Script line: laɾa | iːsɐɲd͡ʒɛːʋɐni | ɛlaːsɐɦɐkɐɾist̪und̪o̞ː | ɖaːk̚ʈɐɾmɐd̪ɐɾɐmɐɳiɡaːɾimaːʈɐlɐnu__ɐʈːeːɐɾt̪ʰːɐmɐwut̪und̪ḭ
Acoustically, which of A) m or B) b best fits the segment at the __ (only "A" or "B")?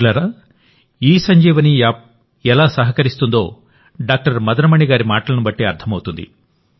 B